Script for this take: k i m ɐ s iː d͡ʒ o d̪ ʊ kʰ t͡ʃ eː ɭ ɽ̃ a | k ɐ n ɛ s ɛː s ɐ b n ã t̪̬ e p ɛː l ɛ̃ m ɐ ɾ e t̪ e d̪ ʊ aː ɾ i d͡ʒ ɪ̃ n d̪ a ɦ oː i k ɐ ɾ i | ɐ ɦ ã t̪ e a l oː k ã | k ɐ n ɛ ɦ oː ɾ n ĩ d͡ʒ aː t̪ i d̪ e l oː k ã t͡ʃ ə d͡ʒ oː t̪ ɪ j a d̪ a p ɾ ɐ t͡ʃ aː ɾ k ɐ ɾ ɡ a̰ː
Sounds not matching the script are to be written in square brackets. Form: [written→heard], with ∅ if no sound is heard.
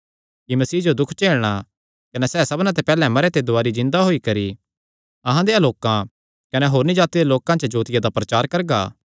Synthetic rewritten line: k i m ɐ s iː d͡ʒ o d̪ ʊ kʰ t͡ʃ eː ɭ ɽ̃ a | k ɐ n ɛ s ɛː s ɐ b n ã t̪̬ e p ɛː l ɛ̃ m ɐ ɾ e t̪ e d̪ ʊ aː ɾ i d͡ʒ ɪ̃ n d̪ a ɦ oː i k ɐ ɾ i | ɐ ɦ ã [t̪→d̪] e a l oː k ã | k ɐ n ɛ ɦ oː ɾ n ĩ d͡ʒ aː t̪ i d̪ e l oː k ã t͡ʃ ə d͡ʒ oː t̪ ɪ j a d̪ a p ɾ ɐ t͡ʃ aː ɾ k ɐ ɾ ɡ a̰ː